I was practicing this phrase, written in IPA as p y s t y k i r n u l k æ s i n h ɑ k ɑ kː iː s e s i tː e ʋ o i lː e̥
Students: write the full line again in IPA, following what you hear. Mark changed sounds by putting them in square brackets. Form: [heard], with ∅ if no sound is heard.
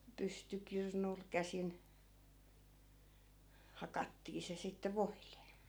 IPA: p y s t y k i r n u l k æ s i n h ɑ k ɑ [tː] iː s e s i tː e ʋ o i [l] e̥